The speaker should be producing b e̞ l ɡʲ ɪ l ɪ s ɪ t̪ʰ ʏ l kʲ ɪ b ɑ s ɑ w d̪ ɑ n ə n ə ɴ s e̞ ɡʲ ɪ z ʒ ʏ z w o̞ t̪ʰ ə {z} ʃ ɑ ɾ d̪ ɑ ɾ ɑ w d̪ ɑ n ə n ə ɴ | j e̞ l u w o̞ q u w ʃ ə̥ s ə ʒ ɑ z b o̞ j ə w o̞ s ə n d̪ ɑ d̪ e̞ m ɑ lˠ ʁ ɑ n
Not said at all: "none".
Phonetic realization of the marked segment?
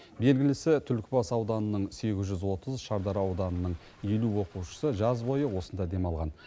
z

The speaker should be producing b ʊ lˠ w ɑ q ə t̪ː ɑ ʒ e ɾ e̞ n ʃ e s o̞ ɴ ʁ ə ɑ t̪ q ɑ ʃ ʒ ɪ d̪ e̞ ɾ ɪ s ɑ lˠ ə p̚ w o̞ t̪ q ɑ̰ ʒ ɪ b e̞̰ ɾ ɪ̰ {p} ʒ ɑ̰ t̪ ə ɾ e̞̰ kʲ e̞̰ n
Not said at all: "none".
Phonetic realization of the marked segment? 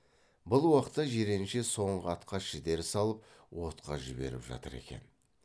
p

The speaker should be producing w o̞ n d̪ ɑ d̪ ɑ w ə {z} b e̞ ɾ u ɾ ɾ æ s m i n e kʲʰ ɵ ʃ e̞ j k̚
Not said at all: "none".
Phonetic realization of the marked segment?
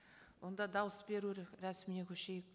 s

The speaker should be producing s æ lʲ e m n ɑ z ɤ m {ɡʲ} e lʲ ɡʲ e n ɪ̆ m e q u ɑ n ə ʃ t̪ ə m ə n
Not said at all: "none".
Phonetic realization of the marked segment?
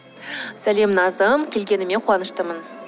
kʲ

